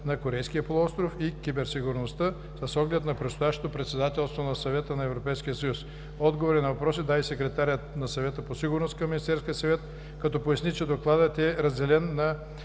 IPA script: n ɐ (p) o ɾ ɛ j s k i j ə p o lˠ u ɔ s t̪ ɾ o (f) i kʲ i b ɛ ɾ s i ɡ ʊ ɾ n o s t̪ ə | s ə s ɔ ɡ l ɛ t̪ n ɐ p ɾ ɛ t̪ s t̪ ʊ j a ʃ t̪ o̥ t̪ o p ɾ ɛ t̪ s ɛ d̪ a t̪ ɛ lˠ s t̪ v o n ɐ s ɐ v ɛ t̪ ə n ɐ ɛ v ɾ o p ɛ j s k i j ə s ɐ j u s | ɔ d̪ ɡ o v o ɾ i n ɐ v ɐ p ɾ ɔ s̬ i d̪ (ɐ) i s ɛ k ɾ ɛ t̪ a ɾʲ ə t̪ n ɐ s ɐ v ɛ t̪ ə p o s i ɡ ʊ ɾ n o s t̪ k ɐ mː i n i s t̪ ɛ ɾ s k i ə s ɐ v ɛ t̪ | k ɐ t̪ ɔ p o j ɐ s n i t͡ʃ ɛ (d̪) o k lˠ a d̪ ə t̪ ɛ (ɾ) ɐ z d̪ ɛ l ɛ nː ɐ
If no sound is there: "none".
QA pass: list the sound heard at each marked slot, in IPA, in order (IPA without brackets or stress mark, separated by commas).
k, f, a, d̪, ɾ